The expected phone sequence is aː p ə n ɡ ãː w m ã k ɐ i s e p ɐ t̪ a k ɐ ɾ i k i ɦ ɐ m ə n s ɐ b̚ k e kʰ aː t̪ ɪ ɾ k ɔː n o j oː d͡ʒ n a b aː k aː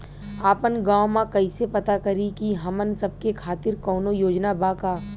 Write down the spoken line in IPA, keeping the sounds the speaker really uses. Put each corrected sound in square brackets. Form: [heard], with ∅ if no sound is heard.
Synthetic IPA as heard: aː p ə n ɡ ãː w m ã k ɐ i s e p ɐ t̪ a k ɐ ɾ i k i ɦ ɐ m ə n s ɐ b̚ k e kʰ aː t̪ ɪ ɾ k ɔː n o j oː d͡ʒ n a b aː k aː